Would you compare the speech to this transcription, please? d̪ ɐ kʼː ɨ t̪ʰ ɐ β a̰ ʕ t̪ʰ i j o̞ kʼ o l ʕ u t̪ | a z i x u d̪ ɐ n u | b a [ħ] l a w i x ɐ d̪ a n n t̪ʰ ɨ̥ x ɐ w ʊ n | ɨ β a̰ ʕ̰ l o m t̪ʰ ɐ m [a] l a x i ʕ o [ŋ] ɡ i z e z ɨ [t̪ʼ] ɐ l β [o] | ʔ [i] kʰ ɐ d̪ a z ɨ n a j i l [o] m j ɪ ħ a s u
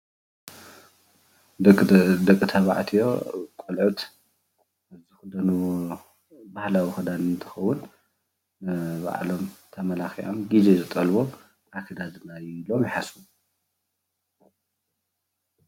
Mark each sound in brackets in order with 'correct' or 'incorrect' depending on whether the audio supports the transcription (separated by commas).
incorrect, incorrect, incorrect, correct, correct, incorrect, correct